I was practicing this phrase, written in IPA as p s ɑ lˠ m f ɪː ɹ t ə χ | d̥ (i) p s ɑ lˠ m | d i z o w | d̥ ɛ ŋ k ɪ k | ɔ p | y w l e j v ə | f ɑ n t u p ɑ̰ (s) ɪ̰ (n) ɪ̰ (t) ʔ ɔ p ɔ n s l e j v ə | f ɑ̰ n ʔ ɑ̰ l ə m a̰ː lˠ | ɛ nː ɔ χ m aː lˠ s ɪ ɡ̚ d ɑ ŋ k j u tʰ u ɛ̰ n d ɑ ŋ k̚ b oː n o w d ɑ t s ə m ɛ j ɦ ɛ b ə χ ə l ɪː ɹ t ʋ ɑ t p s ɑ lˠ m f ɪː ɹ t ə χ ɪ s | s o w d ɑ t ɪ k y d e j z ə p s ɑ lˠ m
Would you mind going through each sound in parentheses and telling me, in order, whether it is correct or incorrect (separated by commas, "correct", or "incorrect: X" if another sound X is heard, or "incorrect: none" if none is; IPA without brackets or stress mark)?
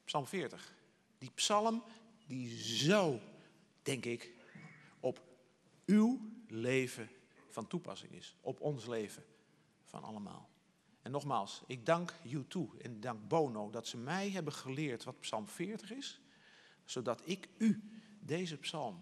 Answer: correct, correct, incorrect: ŋ, incorrect: s